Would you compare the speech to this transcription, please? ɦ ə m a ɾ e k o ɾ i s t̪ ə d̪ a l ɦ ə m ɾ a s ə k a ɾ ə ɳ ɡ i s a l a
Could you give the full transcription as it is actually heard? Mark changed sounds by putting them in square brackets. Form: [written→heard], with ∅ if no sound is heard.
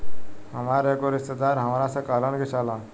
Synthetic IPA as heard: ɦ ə m a ɾ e k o ɾ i s t̪ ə d̪ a [l→ɾ] ɦ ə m ɾ a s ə k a [ɾ→l] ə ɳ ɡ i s a l a

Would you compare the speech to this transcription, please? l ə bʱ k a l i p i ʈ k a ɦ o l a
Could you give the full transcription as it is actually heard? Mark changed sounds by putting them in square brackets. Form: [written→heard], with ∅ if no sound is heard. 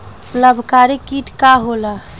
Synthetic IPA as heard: l ə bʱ k a [l→ɾ] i [p→k] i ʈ k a ɦ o l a

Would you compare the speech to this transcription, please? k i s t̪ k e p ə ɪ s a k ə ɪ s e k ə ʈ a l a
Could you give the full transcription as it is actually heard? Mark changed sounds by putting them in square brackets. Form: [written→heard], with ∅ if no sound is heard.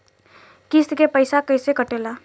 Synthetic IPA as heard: k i s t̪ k e p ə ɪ s a k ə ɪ s e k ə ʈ [a→e] l a

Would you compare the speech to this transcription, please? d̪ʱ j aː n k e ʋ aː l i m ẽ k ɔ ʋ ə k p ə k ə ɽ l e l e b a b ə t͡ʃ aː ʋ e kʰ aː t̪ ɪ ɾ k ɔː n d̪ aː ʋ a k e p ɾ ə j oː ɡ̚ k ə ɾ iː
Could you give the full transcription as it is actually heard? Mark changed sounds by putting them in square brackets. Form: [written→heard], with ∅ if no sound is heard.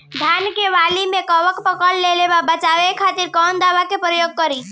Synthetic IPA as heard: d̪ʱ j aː n k e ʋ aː l i m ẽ k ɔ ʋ ə k p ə k ə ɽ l e l e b a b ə t͡ʃ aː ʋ e kʰ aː t̪ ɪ ɾ k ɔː n d̪ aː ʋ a k e p ɾ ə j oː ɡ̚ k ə ɾ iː

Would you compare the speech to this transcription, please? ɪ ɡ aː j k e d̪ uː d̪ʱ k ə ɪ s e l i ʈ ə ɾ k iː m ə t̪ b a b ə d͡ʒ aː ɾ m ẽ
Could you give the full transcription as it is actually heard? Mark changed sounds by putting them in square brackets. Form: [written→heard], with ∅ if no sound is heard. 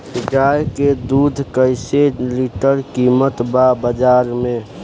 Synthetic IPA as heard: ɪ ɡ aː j k e d̪ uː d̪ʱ k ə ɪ s e l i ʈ ə ɾ k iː m ə t̪ b a b ə d͡ʒ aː ɾ m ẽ

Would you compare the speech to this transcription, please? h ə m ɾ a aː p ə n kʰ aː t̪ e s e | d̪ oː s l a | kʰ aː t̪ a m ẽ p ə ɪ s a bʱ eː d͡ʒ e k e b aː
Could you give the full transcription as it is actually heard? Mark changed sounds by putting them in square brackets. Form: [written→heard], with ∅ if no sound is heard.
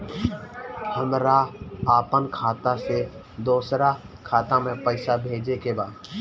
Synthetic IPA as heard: h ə m ɾ a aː p ə n kʰ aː t̪ [e→a] s e | d̪ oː s [l→ɾ] a | kʰ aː t̪ a m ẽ p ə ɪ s a bʱ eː d͡ʒ e k e b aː

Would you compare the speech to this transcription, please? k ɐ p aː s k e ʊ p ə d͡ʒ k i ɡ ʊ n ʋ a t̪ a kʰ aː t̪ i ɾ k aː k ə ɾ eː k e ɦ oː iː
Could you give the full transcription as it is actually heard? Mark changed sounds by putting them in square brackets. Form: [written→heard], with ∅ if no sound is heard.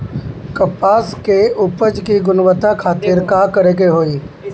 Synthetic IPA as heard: k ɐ p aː s k e ʊ p ə d͡ʒ k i ɡ ʊ n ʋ [a→ə] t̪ a kʰ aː t̪ [i→ɪ] ɾ k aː k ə ɾ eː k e ɦ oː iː

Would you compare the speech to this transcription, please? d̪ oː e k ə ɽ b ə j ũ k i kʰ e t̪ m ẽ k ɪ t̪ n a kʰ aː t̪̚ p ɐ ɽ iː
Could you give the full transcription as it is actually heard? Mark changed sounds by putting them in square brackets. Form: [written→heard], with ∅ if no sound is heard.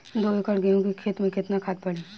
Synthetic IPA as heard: d̪ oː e k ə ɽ [b→ɡ] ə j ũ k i kʰ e t̪ m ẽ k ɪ t̪ n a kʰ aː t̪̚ p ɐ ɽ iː

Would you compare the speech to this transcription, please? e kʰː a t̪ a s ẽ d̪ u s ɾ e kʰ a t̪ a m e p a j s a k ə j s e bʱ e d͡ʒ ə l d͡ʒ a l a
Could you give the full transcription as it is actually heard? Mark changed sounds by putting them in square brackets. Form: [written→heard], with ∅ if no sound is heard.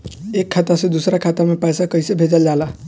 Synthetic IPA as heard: e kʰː a t̪ a s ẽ d̪ u s ɾ [e→a] kʰ a t̪ a m e p a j s a k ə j s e bʱ e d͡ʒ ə l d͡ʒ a l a

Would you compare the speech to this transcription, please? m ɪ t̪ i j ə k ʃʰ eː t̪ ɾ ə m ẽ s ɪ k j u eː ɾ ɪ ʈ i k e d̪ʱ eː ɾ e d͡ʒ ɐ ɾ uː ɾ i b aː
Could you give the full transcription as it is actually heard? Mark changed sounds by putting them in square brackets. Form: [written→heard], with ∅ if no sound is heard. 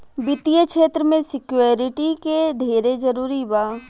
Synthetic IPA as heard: [m→b] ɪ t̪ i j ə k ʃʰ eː t̪ ɾ ə m ẽ s ɪ k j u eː ɾ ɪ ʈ i k e d̪ʱ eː ɾ e d͡ʒ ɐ ɾ uː ɾ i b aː

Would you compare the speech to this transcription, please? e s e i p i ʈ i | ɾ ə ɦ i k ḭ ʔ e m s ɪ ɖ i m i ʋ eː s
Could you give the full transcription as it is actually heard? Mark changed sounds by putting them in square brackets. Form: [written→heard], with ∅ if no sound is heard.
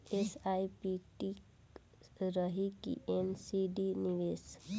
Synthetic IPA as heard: e s [e→a] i p i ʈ i | ɾ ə ɦ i k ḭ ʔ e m s [ɪ→i] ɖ i [m→n] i ʋ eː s

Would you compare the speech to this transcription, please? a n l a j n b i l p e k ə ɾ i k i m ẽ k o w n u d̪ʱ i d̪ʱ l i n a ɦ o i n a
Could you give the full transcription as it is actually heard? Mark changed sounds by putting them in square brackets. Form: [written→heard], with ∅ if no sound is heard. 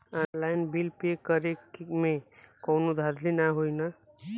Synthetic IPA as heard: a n l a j n b i l p e k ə ɾ [i→e] k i m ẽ k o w n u d̪ʱ [i→a] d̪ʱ l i n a ɦ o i n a

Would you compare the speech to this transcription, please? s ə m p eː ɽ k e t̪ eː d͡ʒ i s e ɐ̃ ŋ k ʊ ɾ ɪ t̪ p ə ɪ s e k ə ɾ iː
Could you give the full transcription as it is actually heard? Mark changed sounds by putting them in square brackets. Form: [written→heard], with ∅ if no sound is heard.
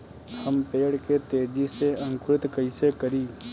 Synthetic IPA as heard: [s→h] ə m p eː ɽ k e t̪ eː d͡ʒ i s e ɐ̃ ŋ k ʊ ɾ ɪ t̪ [p→k] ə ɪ s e k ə ɾ iː

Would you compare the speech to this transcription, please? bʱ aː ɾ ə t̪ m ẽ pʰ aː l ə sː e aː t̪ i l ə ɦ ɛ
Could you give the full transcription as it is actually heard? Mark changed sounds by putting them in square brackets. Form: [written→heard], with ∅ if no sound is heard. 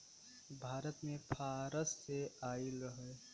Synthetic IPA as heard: bʱ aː ɾ ə t̪ m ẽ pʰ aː [l→ɾ] ə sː e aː [t̪→∅] i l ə ɦ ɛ

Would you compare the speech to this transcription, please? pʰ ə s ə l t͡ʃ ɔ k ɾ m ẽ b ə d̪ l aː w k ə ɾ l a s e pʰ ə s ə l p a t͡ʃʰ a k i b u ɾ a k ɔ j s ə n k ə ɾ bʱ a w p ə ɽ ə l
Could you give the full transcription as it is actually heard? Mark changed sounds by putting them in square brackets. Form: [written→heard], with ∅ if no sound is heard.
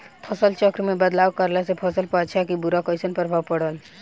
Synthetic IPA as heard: pʰ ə s ə l t͡ʃ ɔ k ɾ m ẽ b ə d̪ l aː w k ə ɾ l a s e pʰ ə s ə l p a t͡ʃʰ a k i b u ɾ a k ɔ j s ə n [k→p] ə ɾ bʱ a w p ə ɽ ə l

